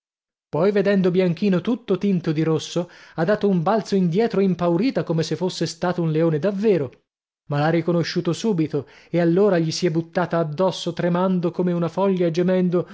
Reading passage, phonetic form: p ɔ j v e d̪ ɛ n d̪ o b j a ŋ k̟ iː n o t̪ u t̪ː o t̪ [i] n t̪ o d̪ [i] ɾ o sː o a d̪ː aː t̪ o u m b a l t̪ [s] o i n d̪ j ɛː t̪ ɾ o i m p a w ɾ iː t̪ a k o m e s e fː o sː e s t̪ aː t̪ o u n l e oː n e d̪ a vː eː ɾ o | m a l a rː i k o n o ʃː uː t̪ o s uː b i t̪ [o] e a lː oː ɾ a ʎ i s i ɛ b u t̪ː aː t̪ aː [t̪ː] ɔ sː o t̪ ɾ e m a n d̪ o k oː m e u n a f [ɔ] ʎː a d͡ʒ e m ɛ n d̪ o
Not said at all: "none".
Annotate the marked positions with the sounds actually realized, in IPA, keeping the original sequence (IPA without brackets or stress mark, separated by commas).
i, i, s, o, d̪ː, ɔ